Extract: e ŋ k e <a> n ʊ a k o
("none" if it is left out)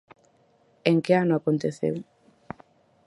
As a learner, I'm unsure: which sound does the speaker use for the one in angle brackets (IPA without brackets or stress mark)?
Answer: a